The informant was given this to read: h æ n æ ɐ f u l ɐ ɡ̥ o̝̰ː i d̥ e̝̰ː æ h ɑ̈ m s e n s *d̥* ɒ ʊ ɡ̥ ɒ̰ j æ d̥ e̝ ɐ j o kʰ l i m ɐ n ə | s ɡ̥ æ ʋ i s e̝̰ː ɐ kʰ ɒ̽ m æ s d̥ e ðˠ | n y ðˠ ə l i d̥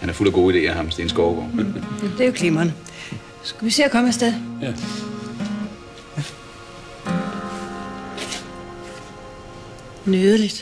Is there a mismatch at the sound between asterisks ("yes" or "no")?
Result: yes